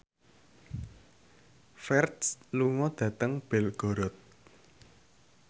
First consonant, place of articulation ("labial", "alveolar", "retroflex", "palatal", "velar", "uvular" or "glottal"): labial